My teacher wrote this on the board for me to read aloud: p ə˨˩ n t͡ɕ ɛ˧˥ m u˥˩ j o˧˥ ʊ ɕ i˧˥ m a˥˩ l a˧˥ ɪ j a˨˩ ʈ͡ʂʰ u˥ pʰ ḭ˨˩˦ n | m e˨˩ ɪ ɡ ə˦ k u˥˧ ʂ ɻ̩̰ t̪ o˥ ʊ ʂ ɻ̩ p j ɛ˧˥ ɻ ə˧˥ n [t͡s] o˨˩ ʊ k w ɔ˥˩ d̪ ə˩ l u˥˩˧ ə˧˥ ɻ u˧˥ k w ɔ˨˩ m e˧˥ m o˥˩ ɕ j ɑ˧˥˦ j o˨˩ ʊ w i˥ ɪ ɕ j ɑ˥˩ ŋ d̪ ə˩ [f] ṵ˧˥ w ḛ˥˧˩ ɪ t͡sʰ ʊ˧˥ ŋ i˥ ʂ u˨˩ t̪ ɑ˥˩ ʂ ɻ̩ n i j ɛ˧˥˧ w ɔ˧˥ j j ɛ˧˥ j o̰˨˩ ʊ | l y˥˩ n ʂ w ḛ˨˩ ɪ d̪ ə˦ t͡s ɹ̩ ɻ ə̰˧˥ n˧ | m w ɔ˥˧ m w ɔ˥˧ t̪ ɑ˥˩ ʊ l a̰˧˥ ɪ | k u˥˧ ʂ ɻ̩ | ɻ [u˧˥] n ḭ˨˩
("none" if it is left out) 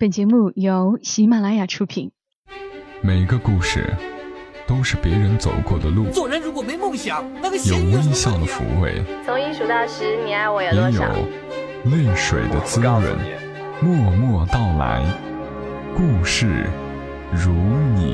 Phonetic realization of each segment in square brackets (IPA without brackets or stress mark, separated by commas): t͡s, f, u˧˥